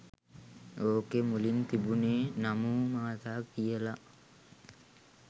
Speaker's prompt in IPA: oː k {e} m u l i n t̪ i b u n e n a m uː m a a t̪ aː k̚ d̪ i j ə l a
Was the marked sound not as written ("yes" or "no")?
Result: no